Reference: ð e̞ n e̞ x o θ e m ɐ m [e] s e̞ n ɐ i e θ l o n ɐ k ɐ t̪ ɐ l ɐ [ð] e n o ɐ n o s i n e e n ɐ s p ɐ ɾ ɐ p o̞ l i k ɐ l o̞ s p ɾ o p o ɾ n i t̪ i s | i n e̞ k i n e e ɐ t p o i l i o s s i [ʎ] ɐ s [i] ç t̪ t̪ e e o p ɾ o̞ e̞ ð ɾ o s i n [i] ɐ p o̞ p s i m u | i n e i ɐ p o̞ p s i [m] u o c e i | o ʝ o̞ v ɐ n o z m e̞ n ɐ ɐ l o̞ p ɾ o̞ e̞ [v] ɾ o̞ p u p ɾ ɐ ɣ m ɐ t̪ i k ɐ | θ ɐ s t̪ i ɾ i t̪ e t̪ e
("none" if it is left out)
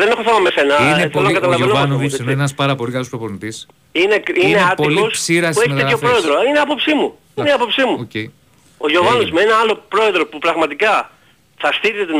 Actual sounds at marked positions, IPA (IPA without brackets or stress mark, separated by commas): e, v, ɾ, e, e, m, ð